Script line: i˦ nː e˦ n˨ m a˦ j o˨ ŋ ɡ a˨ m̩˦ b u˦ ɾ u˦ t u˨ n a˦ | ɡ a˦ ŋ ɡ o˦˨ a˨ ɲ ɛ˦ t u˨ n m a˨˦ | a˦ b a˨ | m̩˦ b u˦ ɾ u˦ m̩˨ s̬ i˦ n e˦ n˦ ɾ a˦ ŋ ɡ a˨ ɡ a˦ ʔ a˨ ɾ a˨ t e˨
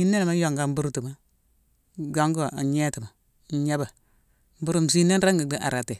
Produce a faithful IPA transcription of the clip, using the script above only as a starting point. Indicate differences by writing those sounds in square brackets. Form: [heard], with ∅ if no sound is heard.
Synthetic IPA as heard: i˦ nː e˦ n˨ m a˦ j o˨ ŋ ɡ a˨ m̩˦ b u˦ ɾ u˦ t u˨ [m] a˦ | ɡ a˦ ŋ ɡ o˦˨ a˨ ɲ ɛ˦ t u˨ [∅] m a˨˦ | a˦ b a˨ | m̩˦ b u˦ ɾ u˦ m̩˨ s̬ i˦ n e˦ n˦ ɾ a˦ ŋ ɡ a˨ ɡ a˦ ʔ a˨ ɾ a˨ t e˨